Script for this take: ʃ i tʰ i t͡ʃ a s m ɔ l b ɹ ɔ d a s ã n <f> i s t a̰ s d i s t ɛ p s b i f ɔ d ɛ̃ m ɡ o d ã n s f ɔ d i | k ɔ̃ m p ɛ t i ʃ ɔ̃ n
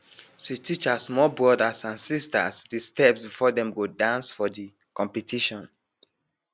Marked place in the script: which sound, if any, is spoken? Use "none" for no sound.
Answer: s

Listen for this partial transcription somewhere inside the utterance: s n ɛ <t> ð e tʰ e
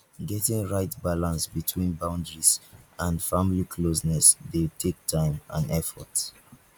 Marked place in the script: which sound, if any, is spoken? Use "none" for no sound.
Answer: s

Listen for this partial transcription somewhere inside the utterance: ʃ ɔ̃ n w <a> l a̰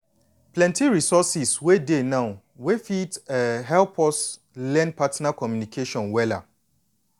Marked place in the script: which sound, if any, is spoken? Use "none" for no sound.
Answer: ɛ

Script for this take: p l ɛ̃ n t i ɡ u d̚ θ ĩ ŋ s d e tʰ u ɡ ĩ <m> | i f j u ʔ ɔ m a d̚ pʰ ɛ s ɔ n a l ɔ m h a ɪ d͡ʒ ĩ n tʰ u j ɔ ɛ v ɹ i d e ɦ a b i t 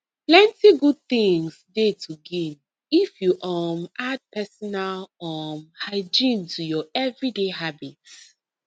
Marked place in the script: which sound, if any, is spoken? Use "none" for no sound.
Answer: n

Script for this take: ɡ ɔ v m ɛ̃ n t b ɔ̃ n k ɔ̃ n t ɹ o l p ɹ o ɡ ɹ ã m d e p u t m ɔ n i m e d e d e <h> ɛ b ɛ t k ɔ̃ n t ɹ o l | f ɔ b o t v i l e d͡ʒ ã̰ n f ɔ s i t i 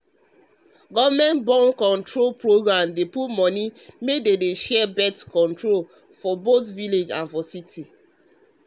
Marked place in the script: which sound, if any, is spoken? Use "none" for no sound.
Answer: ʃ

